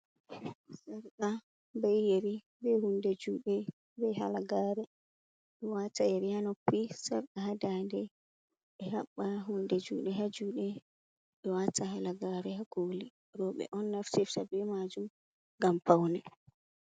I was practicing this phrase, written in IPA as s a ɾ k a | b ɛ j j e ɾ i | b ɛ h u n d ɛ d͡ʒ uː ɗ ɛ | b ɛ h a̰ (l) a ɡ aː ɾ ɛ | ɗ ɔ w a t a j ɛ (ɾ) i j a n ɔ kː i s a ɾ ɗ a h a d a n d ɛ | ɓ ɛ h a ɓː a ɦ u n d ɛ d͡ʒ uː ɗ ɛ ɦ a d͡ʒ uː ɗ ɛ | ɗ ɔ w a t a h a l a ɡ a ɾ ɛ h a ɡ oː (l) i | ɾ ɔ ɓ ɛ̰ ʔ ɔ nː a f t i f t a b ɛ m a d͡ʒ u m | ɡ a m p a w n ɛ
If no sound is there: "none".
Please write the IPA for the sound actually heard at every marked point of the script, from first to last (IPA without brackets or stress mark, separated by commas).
l, ɾ, l